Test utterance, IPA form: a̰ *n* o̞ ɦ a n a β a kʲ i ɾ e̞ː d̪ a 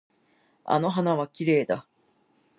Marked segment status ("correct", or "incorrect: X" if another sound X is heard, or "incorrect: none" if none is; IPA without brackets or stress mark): correct